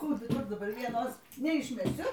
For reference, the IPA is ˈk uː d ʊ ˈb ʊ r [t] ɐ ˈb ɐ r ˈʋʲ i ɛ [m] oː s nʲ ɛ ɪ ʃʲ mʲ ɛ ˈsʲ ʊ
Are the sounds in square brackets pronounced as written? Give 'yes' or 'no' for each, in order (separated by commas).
no, no